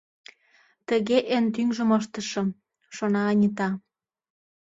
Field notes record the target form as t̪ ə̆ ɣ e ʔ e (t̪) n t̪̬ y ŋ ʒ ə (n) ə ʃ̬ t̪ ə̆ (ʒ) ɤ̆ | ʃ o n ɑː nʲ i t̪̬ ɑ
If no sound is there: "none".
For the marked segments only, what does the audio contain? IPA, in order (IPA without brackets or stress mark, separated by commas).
none, m, ʃ